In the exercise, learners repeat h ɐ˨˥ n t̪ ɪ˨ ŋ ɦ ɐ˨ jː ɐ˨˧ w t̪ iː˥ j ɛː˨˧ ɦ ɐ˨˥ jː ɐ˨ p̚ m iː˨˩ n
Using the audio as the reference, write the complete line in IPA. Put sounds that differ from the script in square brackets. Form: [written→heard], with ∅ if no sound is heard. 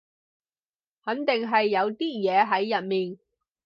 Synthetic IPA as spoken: h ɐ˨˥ n t̪ ɪ˨ ŋ ɦ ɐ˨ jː ɐ˨˧ w t̪ iː˥ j ɛː˨˧ ɦ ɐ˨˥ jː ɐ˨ [p̚→t̚] m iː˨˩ n